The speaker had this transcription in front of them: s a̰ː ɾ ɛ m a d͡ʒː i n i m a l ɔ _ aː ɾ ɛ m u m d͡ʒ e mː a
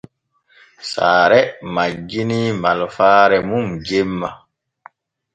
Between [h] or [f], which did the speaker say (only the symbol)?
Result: f